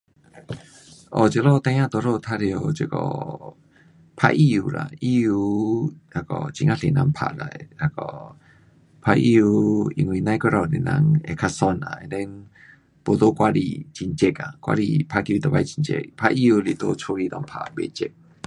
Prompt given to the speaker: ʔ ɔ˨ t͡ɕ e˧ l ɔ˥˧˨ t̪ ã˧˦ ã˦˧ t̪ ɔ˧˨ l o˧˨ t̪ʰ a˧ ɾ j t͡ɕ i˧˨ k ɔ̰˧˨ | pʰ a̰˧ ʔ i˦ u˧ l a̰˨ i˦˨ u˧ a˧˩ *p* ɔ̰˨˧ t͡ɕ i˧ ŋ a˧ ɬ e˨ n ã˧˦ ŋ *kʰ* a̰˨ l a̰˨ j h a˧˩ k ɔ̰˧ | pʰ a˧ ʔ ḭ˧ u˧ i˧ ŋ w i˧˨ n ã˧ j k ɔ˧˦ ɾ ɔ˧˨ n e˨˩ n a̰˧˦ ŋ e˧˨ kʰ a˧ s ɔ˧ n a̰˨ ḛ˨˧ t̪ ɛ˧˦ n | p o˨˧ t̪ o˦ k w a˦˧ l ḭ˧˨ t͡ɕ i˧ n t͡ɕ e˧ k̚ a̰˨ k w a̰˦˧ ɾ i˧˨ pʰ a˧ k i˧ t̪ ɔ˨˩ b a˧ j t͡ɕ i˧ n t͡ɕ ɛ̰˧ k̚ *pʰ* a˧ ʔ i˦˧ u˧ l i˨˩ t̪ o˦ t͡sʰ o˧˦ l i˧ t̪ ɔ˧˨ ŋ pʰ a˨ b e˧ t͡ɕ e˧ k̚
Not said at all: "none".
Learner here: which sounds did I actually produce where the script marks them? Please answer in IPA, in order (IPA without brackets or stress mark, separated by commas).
k, pʰ, pʰ